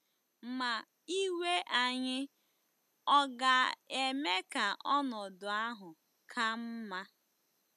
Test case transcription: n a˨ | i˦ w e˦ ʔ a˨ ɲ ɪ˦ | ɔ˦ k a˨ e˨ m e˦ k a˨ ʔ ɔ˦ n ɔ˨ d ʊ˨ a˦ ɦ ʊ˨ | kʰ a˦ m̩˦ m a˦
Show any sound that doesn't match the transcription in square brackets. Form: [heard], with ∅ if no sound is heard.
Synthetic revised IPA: [m] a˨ | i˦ w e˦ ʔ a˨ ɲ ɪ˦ | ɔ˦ [ɡ] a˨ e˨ m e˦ k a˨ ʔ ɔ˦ n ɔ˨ d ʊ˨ a˦ ɦ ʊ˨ | kʰ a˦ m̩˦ m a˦

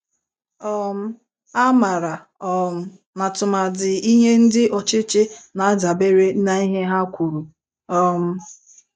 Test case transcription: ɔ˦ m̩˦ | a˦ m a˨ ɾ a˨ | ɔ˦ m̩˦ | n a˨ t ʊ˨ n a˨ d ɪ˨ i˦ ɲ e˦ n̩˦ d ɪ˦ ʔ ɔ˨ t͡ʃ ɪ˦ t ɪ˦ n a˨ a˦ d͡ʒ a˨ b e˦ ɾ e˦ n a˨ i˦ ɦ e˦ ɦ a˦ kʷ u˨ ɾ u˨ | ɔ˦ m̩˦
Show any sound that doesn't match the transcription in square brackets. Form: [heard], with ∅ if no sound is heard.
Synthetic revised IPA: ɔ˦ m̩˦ | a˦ m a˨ ɾ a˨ | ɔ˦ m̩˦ | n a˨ t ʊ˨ [m] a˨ d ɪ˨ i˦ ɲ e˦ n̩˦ d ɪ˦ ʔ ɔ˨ t͡ʃ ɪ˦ [t͡ʃ] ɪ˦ n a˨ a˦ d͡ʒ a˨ b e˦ ɾ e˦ n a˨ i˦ ɦ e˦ ɦ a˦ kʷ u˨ ɾ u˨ | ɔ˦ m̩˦

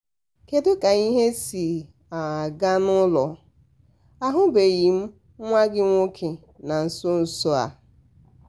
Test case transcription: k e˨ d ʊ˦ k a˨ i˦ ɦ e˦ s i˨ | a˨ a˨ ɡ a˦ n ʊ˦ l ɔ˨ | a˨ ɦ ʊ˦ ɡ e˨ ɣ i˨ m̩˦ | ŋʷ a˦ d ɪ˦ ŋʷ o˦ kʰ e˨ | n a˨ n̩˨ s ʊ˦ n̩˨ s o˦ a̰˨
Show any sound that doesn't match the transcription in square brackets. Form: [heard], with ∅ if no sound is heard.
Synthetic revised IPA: k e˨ d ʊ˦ k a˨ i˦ ɦ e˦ s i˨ | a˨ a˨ ɡ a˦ n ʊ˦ l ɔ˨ | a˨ ɦ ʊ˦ [b] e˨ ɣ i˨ m̩˦ | ŋʷ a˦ [ɡ] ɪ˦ ŋʷ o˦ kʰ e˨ | n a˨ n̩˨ s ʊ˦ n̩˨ s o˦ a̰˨

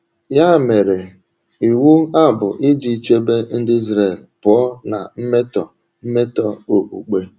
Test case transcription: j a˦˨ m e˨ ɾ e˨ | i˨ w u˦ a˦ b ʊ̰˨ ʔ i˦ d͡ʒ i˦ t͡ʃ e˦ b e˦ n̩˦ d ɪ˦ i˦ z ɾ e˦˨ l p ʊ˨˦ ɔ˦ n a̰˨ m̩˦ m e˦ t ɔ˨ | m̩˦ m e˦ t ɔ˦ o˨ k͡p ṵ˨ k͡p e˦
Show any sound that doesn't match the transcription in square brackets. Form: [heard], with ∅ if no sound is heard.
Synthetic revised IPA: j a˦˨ m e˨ ɾ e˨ | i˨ w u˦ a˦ b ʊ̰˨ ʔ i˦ d͡ʒ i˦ t͡ʃ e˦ b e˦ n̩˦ d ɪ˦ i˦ z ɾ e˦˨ l p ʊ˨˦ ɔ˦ n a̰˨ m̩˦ m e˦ t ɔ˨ | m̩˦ m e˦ t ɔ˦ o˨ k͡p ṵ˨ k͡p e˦

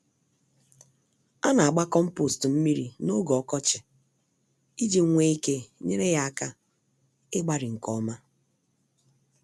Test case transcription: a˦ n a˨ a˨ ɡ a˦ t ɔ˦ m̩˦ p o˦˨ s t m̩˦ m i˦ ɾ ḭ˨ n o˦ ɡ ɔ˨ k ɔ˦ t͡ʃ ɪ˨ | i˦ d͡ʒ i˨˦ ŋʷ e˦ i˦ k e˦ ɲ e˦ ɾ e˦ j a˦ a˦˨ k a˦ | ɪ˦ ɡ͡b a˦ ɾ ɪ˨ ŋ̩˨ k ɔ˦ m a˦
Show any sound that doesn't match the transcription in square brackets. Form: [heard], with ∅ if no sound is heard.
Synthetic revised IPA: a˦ n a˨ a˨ [ɡ͡b] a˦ [k] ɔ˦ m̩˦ p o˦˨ s t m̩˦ m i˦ ɾ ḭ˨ n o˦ ɡ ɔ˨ k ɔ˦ t͡ʃ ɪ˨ | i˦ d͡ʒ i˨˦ ŋʷ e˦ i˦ k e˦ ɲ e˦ ɾ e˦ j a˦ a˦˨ k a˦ | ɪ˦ ɡ͡b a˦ ɾ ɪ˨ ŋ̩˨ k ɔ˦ m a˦

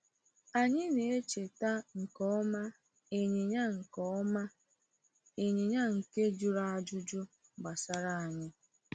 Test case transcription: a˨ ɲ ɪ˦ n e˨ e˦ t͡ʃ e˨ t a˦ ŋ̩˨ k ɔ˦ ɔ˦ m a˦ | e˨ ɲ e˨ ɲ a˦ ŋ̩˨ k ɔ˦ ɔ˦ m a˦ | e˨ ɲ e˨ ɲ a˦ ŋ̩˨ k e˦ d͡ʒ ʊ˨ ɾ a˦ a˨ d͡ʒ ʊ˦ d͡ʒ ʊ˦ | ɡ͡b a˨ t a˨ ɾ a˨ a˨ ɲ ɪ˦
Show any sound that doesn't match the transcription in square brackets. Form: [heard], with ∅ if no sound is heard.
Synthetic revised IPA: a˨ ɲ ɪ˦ n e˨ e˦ t͡ʃ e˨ t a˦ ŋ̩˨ k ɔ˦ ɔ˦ m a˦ | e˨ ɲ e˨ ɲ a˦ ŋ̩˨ k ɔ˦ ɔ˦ m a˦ | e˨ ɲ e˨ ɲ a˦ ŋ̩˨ k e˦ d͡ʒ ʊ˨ ɾ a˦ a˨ d͡ʒ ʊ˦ d͡ʒ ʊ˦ | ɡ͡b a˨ [s] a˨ ɾ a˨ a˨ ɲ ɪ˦

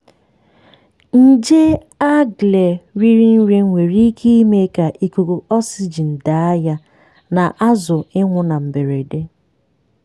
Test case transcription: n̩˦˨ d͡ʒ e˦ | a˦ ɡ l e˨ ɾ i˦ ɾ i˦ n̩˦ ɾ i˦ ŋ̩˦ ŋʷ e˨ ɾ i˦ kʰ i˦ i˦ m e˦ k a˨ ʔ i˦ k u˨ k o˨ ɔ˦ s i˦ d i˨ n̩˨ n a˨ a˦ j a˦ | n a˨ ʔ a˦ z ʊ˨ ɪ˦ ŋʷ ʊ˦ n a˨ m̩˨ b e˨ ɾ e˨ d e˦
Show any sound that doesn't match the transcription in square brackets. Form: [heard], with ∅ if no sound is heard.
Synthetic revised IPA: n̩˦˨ d͡ʒ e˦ | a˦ ɡ l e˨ ɾ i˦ ɾ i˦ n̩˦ ɾ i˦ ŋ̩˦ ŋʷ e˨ ɾ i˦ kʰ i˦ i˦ m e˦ k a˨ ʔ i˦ k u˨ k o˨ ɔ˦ s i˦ [d͡ʒ] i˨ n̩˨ [d] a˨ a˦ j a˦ | n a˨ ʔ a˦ z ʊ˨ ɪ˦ ŋʷ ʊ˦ n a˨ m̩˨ b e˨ ɾ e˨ d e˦

